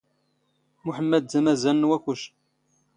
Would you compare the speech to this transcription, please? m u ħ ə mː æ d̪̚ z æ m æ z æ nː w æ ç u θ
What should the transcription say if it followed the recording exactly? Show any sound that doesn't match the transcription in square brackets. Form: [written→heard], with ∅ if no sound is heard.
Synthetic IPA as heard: m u ħ ə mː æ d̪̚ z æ m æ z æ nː w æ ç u [θ→ʃ]